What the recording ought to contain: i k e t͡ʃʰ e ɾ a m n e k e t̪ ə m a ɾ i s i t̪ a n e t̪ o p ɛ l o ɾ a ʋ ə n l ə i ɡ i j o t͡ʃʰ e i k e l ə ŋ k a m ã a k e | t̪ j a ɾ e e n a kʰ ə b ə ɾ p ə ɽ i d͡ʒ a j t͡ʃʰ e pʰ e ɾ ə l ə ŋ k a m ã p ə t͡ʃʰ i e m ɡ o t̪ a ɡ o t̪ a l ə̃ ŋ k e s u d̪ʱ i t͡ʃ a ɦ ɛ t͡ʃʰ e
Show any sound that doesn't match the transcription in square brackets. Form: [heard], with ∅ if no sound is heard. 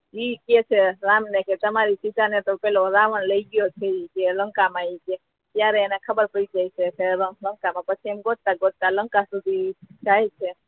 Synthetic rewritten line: i k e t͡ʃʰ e ɾ a m n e k e t̪ ə m a ɾ i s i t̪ a n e t̪ o p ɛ l o ɾ a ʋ ə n l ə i ɡ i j o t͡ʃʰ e i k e l ə ŋ k a m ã [i] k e | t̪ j a ɾ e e n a kʰ ə b ə ɾ p ə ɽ i d͡ʒ a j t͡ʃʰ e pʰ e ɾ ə l ə ŋ k a m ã p ə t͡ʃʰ i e m ɡ o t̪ a ɡ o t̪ a l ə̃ ŋ k [a] s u d̪ʱ i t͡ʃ a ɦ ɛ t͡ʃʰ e